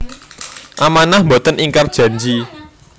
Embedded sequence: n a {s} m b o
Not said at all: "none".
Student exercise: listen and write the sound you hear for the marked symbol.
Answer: h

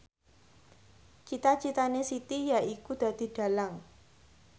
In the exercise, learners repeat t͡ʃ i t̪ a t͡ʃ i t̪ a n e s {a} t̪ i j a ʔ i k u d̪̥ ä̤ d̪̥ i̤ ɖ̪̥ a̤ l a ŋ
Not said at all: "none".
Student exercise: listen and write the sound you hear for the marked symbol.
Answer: i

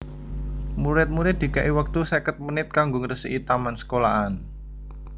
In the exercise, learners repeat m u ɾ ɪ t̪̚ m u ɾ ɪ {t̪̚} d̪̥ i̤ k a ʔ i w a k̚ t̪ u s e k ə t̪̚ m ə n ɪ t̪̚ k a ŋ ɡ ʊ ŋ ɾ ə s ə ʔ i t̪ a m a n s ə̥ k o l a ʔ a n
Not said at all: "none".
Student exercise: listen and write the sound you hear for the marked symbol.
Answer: t̪̚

